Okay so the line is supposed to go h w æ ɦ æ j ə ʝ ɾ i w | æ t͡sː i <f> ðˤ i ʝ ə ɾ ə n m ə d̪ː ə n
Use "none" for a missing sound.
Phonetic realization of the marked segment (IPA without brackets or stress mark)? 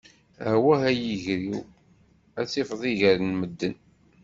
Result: f